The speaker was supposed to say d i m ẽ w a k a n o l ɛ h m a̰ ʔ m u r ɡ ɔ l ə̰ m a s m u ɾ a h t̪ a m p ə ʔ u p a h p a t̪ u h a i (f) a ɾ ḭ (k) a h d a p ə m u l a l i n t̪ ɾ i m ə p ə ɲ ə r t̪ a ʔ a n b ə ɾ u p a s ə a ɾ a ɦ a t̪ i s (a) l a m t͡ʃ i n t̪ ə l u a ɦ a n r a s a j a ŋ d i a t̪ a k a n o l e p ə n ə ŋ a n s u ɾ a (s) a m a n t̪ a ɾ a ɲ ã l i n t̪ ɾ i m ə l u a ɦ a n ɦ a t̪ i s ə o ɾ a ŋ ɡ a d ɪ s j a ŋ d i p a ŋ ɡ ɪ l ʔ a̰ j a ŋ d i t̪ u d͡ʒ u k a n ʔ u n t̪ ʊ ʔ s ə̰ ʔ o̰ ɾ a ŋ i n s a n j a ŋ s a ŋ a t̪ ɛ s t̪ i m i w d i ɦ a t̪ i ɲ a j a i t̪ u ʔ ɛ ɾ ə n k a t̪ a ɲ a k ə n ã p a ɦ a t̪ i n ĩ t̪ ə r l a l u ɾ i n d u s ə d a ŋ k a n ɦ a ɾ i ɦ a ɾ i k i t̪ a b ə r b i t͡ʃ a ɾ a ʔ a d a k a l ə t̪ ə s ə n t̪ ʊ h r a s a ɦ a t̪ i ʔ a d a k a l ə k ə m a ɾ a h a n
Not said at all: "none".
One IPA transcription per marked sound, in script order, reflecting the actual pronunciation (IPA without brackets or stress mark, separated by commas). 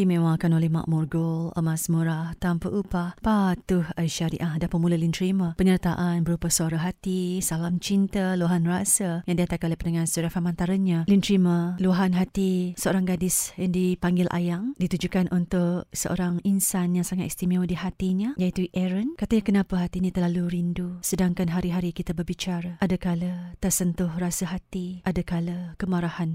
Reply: ʃ, ʔ, a, f